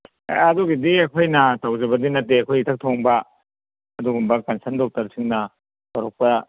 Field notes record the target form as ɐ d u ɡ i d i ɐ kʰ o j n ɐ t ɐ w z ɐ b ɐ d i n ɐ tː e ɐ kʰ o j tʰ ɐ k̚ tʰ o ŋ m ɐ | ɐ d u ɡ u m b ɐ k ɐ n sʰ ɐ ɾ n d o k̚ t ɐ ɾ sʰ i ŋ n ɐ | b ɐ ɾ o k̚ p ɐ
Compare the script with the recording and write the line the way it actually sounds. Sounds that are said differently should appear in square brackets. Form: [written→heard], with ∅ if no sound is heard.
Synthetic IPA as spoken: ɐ d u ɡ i d i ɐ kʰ o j n ɐ t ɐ w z ɐ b ɐ d i n ɐ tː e ɐ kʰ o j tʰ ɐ k̚ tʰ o ŋ [m→b] ɐ | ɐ d u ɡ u m b ɐ k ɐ n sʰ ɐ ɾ n d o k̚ t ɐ ɾ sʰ i ŋ n ɐ | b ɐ ɾ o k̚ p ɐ